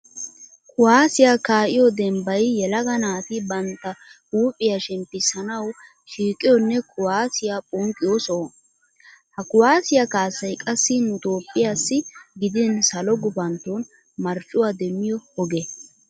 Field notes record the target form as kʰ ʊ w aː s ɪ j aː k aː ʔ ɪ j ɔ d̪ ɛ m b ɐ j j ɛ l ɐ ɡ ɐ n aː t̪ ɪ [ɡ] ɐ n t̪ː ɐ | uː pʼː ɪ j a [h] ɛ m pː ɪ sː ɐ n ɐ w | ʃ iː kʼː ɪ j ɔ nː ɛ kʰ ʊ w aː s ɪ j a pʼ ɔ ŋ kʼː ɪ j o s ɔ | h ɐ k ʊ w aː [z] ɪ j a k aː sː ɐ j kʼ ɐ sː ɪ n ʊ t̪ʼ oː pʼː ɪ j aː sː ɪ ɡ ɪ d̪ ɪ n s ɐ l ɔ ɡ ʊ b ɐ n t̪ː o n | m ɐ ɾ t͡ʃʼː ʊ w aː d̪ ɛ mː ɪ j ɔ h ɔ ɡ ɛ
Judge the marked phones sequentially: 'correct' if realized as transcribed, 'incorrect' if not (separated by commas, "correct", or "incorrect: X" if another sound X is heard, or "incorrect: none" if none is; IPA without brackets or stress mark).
incorrect: b, incorrect: ʃ, incorrect: s